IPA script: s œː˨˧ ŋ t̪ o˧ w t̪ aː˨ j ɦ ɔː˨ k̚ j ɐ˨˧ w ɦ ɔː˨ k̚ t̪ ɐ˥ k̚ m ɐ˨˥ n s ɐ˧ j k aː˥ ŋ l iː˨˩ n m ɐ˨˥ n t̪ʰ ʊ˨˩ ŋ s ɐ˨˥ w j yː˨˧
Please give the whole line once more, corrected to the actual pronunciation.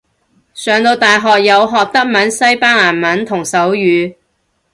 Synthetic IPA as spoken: s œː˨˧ ŋ t̪ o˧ w t̪ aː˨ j ɦ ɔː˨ k̚ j ɐ˨˧ w ɦ ɔː˨ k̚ t̪ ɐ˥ k̚ m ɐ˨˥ n s ɐ˥ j p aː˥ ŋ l aː˨˩ n m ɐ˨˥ n t̪ʰ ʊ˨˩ ŋ s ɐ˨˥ w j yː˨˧